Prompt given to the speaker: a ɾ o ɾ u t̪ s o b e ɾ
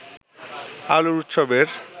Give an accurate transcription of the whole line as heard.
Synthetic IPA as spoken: a l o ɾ u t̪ ʃ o b e ɾ